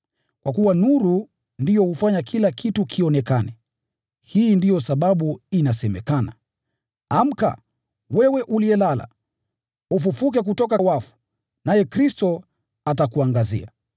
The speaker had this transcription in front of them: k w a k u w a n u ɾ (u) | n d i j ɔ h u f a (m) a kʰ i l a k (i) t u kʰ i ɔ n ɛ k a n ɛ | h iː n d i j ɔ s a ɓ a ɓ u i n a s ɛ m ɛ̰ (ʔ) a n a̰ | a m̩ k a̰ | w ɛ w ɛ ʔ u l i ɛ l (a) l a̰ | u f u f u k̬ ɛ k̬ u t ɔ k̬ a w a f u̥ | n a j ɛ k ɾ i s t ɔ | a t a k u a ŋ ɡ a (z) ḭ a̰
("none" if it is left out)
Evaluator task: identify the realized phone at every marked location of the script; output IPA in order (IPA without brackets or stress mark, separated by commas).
u, ɲ, i, k, a, z